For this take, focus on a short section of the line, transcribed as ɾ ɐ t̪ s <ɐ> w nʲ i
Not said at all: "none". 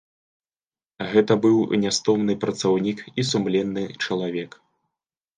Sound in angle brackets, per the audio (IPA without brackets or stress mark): a